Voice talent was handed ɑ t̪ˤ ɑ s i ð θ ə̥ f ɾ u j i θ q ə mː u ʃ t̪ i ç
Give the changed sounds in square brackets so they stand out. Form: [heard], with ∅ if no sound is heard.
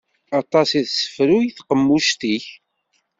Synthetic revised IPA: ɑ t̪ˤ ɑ s i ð [s] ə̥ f ɾ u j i θ q ə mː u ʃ t̪ i ç